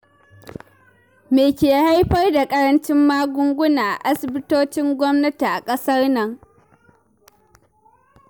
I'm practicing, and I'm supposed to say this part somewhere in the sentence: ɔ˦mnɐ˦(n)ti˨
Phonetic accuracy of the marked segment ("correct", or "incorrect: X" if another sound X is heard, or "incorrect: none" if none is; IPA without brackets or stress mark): incorrect: none